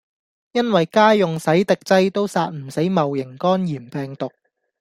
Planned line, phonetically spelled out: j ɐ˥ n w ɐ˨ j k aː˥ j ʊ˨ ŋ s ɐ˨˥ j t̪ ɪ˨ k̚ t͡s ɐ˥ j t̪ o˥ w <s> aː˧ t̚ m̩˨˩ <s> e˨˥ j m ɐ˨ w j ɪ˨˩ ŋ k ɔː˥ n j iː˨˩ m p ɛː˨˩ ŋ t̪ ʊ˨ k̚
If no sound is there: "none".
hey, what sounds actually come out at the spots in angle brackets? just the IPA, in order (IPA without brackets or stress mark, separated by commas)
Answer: s, s